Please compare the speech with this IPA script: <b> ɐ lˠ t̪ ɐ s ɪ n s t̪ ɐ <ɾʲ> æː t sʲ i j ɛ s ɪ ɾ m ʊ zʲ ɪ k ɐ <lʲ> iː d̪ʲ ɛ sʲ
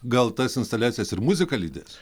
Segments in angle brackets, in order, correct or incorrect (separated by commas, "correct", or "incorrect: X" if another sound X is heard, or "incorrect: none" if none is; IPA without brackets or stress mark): incorrect: ɡ, incorrect: lʲ, correct